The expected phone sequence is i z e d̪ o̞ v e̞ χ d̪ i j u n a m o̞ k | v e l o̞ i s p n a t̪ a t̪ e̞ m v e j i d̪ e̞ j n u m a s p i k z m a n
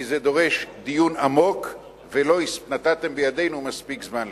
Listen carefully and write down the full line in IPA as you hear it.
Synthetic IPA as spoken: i z e d̪ o̞ ʁ e̞ ʃ d̪ i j u n a m o̞ k | v e l o̞ i s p n a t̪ a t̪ e̞ m b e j a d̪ e̞ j n u m a s p i k z m a n